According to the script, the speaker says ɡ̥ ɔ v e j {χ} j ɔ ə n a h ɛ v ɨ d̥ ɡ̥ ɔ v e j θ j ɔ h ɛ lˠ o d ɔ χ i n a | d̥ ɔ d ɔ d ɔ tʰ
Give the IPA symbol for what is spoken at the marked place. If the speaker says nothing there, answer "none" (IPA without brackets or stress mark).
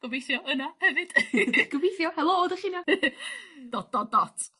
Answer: θ